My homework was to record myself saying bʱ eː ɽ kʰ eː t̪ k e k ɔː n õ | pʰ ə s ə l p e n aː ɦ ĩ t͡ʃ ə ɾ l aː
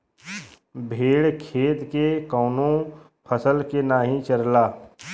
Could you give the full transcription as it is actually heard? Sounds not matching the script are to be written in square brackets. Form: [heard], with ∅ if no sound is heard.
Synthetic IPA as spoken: bʱ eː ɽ kʰ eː t̪ k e k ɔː n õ | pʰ ə s ə l [k] e n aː ɦ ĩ t͡ʃ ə ɾ l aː

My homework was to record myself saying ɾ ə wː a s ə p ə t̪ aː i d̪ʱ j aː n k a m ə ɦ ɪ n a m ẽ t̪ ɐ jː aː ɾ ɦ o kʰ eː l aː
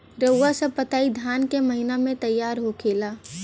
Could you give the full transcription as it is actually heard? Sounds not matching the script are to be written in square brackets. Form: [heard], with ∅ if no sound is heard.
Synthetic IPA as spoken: ɾ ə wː a s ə p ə t̪ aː i d̪ʱ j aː n k [e] m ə ɦ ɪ n a m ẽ t̪ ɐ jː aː ɾ ɦ o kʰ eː l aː

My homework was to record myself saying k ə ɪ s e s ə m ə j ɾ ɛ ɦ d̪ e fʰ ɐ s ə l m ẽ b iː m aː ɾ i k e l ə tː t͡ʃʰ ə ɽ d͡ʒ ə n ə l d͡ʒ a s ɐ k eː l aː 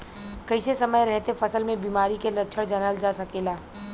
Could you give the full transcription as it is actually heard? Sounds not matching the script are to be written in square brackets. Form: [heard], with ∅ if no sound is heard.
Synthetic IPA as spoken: k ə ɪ s e s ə m ə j ɾ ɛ ɦ [t̪] e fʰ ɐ s ə l m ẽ b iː m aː ɾ i k e l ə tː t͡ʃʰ ə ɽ d͡ʒ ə n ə l d͡ʒ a s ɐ k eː l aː

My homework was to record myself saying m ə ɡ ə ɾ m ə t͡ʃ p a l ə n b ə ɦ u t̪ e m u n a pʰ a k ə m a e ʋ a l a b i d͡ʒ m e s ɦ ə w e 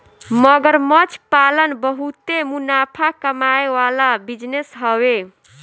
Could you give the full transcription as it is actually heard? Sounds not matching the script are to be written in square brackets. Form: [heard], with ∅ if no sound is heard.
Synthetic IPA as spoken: m ə ɡ ə ɾ m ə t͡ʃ p a l ə n b ə ɦ u t̪ e m u n a pʰ a k ə m a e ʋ a l a b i d͡ʒ [n] e s ɦ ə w e

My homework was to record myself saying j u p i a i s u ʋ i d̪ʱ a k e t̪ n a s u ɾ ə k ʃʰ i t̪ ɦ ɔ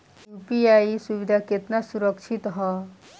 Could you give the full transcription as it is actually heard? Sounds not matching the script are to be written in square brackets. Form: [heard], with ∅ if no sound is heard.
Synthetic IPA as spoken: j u p i a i s u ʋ i d̪ʱ a k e t̪ n a s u ɾ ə k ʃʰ i t̪ ɦ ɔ

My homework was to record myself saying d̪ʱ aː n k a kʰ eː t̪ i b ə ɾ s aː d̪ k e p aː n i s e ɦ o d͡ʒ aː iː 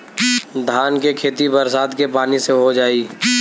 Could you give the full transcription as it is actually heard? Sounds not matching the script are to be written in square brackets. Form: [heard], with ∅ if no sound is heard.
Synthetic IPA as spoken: d̪ʱ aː n k [e] kʰ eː t̪ i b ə ɾ s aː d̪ k e p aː n i s e ɦ o d͡ʒ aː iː

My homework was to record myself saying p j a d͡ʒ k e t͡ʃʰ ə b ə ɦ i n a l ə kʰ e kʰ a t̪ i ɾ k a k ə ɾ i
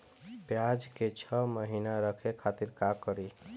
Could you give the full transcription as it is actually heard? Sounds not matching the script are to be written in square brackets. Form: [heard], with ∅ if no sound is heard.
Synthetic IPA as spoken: p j a d͡ʒ k e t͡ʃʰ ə [m] ə ɦ i n a [ɾ] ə kʰ e kʰ a t̪ i ɾ k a k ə ɾ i

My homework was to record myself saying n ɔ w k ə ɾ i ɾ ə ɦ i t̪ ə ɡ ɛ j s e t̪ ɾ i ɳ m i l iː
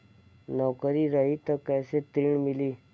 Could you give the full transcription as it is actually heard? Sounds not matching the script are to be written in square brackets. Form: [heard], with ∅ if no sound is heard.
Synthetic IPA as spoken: n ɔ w k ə ɾ i ɾ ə ɦ i t̪ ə [k] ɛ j s e t̪ ɾ i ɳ m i l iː

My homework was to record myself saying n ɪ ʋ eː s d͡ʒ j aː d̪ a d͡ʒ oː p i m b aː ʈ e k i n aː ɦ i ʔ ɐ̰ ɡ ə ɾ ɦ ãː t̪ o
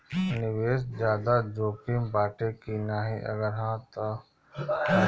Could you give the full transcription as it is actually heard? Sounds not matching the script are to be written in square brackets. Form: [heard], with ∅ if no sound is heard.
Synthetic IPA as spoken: n ɪ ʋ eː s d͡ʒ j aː d̪ a d͡ʒ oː p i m b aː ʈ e k i n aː ɦ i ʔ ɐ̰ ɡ ə ɾ ɦ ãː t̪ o

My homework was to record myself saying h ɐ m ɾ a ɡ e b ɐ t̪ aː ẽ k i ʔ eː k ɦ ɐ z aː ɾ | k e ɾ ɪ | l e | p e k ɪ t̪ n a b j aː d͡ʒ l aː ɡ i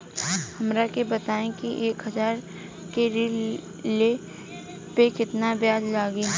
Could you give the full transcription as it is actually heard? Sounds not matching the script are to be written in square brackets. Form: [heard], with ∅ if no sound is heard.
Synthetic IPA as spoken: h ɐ m ɾ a [k] e b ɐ t̪ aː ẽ k i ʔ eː k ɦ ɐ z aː ɾ | k e ɾ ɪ | l e | p e k ɪ t̪ n a b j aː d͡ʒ l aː ɡ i

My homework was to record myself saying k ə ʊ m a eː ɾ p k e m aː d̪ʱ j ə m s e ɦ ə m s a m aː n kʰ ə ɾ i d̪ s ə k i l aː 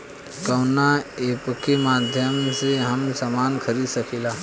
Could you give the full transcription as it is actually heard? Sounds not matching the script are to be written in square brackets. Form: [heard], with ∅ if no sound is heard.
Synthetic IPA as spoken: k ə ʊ [n] a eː [∅] p k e m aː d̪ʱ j ə m s e ɦ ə m s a m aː n kʰ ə ɾ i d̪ s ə k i l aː

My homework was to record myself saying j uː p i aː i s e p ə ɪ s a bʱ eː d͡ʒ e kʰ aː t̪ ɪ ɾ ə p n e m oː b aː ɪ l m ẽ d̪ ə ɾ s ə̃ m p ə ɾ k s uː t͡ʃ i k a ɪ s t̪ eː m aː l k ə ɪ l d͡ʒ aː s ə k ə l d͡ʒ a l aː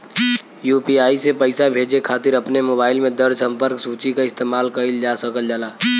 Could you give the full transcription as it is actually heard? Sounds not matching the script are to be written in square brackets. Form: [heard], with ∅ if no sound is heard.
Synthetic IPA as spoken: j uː p i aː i s e p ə ɪ s a bʱ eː d͡ʒ e kʰ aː t̪ ɪ ɾ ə p n e m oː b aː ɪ l m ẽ d̪ ə ɾ s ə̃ m p ə ɾ k s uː t͡ʃ i k a ɪ s t̪ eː m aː l k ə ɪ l d͡ʒ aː s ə k ə l d͡ʒ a l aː

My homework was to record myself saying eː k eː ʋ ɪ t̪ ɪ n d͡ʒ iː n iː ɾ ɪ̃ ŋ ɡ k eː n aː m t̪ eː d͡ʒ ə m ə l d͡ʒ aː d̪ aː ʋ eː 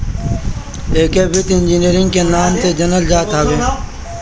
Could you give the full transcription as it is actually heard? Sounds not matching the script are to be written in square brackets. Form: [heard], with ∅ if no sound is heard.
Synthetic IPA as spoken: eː k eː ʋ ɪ t̪ ɪ n d͡ʒ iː n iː ɾ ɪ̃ ŋ ɡ k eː n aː m t̪ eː d͡ʒ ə [n] ə l d͡ʒ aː [t̪] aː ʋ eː

